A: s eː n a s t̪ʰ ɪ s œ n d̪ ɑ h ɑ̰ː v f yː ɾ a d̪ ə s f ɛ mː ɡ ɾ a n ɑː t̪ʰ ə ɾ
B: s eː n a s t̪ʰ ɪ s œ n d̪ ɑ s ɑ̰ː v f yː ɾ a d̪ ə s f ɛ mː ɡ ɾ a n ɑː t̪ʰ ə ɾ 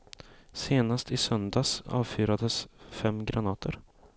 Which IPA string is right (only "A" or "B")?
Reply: B